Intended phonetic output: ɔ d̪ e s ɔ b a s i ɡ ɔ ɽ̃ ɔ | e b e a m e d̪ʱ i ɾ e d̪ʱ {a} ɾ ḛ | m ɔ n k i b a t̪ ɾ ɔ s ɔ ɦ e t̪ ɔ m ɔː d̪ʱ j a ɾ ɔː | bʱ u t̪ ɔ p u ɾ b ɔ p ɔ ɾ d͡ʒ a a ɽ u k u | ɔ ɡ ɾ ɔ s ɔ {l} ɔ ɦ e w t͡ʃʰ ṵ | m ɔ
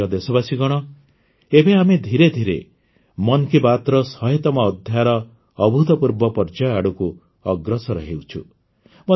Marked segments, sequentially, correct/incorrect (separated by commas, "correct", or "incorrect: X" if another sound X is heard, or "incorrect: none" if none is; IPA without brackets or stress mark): incorrect: i, incorrect: ɾ